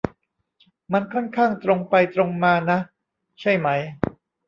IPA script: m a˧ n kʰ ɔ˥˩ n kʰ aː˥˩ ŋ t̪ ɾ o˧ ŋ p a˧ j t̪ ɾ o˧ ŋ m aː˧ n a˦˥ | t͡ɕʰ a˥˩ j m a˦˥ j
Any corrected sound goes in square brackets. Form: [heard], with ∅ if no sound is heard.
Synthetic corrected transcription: m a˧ n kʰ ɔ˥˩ n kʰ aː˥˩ ŋ t̪ ɾ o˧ ŋ p a˧ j t̪ ɾ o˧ ŋ m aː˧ n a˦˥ | t͡ɕʰ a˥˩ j m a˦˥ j